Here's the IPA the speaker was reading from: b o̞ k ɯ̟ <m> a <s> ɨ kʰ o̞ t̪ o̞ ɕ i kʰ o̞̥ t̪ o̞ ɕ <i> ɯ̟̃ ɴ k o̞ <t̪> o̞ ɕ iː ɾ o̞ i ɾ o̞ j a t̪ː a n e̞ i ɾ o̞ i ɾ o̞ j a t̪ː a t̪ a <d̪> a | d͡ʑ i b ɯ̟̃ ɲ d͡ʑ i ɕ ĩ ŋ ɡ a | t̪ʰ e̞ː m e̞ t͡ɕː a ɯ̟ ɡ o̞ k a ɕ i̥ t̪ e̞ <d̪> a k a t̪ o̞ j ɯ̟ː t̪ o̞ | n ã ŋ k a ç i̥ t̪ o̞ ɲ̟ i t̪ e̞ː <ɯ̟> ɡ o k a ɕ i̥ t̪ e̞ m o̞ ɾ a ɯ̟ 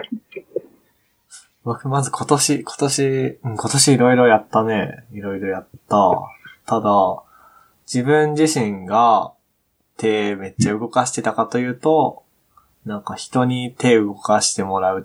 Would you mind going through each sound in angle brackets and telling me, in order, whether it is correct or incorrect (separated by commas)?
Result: correct, incorrect, correct, correct, correct, incorrect, correct